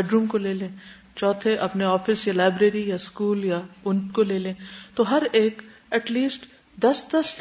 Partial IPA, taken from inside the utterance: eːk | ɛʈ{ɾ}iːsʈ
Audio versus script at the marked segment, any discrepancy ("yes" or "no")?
yes